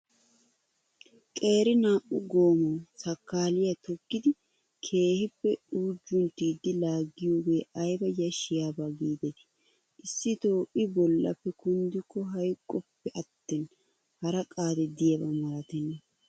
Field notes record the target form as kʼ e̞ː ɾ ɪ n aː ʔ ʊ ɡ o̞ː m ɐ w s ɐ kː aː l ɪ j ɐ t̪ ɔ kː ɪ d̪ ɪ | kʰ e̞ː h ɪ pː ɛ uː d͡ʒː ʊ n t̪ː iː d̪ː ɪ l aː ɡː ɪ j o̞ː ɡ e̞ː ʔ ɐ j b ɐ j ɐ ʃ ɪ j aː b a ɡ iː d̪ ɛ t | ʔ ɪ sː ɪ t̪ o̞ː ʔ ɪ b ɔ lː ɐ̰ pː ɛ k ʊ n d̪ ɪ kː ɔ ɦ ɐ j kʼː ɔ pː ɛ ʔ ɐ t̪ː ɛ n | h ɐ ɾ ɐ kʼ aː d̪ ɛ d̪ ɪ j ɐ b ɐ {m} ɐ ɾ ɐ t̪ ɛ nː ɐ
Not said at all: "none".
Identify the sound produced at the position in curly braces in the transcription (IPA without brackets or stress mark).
m